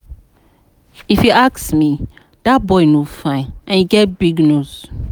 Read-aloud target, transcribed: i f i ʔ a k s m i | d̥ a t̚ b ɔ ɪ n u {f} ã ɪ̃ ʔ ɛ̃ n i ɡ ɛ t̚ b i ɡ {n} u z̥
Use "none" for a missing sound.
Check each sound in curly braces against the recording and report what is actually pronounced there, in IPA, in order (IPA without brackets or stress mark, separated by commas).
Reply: f, n